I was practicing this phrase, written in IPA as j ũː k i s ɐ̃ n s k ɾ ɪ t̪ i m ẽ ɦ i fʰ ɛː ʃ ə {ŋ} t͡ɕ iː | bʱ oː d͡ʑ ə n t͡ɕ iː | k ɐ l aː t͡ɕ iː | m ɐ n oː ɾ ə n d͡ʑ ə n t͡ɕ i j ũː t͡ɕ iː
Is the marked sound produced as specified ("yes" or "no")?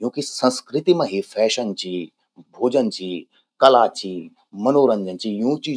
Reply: no